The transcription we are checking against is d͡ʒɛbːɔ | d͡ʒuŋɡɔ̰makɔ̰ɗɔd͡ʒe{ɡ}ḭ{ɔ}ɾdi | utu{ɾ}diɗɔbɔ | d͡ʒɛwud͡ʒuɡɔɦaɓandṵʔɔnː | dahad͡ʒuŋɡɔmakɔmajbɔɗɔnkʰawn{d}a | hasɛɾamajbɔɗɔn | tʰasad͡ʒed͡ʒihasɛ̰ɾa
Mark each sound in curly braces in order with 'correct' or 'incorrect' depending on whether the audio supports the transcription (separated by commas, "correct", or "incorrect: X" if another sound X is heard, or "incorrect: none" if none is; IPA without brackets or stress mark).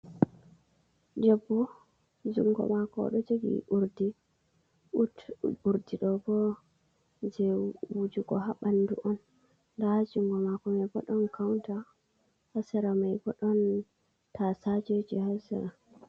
correct, incorrect: u, correct, incorrect: t